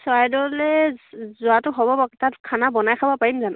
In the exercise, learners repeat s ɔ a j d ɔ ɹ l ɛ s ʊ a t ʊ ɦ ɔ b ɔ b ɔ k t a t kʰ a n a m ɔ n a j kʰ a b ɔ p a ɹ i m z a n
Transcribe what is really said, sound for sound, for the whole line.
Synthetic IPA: s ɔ a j d ɔ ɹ l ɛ z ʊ a t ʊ ɦ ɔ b ɔ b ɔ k t a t kʰ a n a b ɔ n a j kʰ a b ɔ p a ɹ i m z a n